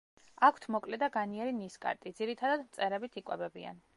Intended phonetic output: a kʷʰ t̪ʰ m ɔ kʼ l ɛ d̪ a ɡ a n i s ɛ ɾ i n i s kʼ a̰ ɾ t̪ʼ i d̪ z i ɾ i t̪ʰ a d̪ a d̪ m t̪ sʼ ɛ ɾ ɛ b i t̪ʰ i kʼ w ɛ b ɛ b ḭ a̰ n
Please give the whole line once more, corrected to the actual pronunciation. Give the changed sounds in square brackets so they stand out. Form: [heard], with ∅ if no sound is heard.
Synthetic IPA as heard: a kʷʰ t̪ʰ m ɔ kʼ l ɛ d̪ a ɡ a n i [∅] ɛ ɾ i n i s kʼ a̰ ɾ t̪ʼ i d̪ z i ɾ i t̪ʰ a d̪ a d̪ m t̪ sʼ ɛ ɾ ɛ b i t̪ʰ i kʼ w ɛ b ɛ b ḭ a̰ n